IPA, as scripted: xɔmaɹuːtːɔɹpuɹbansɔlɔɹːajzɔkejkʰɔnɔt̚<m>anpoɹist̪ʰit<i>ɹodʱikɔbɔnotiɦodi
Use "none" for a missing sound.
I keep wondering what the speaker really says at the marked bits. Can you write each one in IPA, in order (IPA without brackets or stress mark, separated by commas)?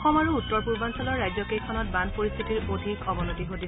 b, i